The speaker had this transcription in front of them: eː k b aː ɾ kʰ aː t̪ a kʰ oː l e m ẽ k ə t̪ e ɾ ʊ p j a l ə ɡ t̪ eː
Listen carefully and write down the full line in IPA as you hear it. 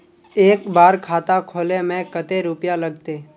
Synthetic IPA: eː k b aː ɾ kʰ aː t̪ a kʰ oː l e m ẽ k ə t̪ e ɾ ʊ p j a l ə ɡ t̪ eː